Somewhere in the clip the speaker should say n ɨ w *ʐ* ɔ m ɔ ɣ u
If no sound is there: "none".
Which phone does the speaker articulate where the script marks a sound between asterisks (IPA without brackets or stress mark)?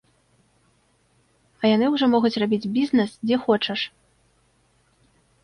ʐ